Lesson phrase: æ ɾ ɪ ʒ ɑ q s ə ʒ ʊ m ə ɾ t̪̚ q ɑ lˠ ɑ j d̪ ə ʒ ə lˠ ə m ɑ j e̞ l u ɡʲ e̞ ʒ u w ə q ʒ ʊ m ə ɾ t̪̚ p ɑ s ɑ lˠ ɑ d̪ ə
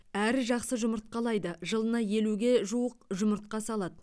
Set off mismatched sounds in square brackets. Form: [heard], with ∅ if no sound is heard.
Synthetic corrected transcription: æ ɾ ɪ ʒ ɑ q s ə ʒ ʊ m ə ɾ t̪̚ q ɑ lˠ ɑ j d̪ ə ʒ ə lˠ ə [n] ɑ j e̞ l u ɡʲ e̞ ʒ u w ə q ʒ ʊ m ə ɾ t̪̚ [q] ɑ s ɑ lˠ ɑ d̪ ə